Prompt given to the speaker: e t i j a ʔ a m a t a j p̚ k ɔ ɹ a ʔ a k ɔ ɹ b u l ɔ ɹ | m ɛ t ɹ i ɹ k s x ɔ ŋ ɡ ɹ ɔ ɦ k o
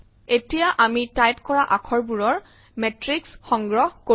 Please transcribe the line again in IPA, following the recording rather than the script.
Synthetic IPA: e t i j a ʔ a m i t a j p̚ k ɔ ɹ a ʔ a kʰ ɔ ɹ b u ɹ ɔ ɹ | m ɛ t ɹ i k s x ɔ ŋ ɡ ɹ ɔ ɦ k o